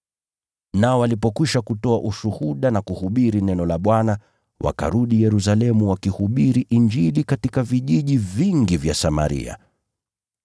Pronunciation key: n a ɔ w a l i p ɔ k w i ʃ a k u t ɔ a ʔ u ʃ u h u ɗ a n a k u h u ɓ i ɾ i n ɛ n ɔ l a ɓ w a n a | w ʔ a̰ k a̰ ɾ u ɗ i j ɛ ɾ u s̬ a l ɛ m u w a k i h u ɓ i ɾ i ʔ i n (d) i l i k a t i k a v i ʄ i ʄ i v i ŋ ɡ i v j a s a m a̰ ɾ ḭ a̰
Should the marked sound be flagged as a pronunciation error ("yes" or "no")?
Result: yes